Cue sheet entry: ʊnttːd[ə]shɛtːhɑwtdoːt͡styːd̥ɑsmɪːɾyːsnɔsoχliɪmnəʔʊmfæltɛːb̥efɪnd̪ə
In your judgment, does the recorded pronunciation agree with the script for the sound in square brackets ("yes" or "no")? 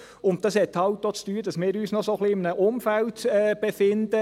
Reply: no